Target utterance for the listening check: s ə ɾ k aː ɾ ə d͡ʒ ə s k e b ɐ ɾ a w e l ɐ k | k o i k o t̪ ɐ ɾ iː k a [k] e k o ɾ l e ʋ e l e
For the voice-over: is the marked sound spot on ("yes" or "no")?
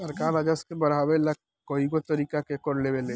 yes